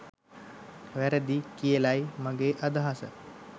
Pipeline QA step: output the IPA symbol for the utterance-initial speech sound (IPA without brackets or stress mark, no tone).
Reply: ʋ